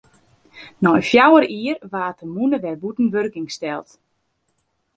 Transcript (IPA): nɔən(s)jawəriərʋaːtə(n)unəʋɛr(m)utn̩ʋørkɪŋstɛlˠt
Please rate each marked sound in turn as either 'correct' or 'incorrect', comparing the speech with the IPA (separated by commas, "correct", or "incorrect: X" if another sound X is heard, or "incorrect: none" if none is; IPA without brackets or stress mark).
incorrect: f, incorrect: m, incorrect: b